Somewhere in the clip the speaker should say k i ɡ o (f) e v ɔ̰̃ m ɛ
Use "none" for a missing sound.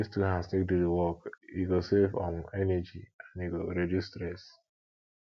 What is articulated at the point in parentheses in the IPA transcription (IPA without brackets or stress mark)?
s